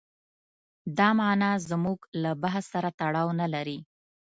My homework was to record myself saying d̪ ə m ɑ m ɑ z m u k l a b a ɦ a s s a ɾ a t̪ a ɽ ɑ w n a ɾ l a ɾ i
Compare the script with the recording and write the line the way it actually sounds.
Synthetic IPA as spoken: d̪ ɑ m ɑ n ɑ z m u ɡ l a b a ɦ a s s a ɾ a t̪ a ɽ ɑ w n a l a ɾ i